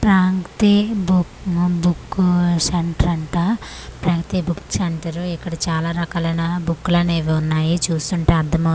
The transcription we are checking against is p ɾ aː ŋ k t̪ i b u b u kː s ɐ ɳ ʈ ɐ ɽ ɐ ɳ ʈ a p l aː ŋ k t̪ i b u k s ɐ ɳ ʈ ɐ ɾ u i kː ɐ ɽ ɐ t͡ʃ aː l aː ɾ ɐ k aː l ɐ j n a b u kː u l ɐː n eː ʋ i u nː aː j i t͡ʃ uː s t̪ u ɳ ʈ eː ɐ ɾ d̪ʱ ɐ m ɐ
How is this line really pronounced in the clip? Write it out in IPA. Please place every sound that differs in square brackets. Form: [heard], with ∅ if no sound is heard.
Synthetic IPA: p ɾ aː ŋ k t̪ i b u b u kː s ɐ ɳ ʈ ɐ [ɾ] ɐ ɳ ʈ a p [ɾ] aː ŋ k t̪ i b u k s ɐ ɳ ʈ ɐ ɾ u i kː ɐ ɽ ɐ t͡ʃ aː l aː ɾ ɐ k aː l ɐ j n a b u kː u l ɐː n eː ʋ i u nː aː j i t͡ʃ uː s t̪ u ɳ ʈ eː ɐ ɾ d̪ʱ ɐ m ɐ